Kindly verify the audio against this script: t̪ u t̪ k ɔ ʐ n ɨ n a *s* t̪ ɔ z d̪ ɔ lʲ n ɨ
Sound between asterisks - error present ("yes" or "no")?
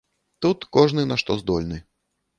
yes